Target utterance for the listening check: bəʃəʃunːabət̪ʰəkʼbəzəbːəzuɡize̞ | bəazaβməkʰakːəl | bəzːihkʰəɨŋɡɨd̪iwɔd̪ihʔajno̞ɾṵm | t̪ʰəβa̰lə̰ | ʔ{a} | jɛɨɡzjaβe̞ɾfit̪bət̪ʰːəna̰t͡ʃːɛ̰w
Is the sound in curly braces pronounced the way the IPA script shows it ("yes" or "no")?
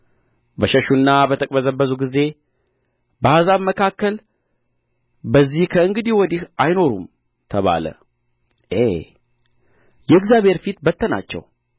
no